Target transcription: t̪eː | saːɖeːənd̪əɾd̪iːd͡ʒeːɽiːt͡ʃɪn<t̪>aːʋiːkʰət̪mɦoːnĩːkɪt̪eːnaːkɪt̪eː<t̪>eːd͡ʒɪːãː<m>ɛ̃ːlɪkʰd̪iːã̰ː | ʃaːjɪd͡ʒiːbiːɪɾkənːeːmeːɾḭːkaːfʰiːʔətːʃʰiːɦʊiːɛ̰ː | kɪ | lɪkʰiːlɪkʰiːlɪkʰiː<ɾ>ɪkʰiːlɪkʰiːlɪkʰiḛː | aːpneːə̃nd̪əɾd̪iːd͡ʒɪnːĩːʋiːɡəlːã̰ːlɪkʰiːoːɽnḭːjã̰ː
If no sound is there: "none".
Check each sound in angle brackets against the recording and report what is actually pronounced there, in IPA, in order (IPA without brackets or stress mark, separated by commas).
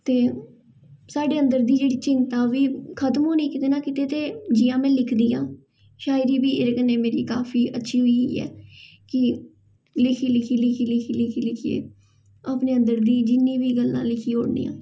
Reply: t̪, t̪, m, l